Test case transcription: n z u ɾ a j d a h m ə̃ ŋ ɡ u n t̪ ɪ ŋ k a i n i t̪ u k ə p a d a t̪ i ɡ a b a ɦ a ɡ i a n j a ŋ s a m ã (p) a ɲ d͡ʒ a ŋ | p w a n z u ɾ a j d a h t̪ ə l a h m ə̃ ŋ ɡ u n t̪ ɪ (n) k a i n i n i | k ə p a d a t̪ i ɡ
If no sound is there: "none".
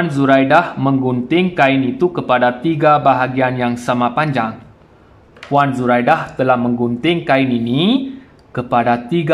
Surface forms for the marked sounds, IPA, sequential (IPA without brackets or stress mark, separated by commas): p, ŋ